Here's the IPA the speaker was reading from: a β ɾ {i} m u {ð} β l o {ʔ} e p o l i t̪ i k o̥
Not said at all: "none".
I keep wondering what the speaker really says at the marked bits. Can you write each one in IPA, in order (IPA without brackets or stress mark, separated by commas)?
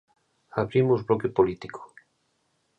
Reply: i, z, k